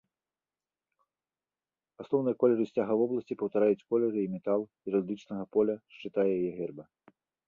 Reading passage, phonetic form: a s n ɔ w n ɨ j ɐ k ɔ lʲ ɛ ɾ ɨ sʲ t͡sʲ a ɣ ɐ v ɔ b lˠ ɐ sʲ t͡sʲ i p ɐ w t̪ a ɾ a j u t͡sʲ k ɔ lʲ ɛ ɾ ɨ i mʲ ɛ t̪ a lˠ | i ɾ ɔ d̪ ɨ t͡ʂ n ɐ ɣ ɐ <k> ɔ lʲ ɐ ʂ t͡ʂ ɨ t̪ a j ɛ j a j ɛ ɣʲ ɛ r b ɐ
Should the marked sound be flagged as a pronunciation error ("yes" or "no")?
yes